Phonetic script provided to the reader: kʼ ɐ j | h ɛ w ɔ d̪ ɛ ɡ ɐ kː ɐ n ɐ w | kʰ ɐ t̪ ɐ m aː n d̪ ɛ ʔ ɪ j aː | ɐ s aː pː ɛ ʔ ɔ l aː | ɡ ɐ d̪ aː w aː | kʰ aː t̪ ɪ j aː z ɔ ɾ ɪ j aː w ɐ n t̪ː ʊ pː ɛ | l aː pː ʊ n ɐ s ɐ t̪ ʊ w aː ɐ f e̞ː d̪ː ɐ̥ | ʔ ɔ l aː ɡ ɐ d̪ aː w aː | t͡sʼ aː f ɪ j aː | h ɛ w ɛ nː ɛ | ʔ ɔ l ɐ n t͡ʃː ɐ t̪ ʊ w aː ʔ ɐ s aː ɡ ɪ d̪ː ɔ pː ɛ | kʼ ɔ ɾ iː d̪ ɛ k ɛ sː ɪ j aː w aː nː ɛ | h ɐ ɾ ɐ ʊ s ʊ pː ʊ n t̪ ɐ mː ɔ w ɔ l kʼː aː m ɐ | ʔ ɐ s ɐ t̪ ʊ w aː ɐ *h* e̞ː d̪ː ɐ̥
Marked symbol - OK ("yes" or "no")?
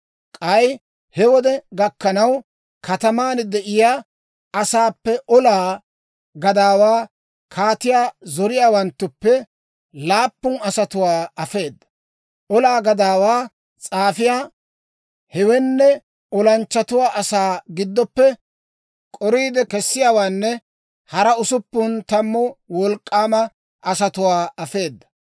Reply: no